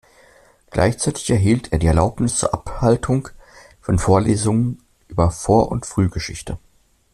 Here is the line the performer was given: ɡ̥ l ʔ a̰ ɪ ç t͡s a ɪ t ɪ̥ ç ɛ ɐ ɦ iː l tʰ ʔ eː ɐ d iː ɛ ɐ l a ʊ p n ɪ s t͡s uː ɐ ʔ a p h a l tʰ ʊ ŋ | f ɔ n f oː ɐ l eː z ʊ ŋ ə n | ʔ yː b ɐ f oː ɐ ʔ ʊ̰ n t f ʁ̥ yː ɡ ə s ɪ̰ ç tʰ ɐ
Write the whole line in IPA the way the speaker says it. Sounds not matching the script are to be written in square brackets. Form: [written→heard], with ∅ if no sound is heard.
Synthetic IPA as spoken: ɡ̥ l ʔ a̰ ɪ ç t͡s a ɪ t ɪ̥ ç ɛ ɐ ɦ iː l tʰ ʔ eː ɐ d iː ɛ ɐ l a ʊ p n ɪ s t͡s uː ɐ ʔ a p h a l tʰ ʊ ŋ | f ɔ n f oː ɐ l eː z ʊ ŋ ə n | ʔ yː b ɐ f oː ɐ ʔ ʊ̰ n t f ʁ̥ yː ɡ ə [s→ʃ] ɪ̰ ç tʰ [ɐ→ə]